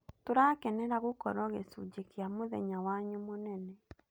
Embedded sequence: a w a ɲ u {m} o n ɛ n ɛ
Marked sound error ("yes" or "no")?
no